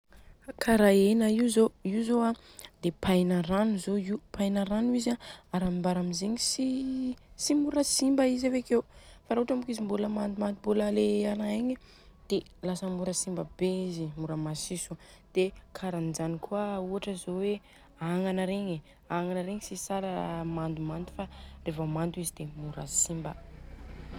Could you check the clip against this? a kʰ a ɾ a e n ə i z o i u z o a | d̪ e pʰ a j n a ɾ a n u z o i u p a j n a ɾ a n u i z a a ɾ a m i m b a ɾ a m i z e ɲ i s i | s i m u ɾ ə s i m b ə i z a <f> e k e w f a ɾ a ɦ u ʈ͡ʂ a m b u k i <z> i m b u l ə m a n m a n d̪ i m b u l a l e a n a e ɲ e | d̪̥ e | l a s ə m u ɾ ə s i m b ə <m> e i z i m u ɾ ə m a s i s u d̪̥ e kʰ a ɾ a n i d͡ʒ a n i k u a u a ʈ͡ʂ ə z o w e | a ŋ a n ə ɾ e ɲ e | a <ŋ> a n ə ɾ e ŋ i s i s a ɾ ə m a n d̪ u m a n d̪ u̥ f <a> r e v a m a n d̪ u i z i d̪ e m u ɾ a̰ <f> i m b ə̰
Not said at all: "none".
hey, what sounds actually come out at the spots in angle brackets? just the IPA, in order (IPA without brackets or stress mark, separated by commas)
v, z, b, ŋ, a, s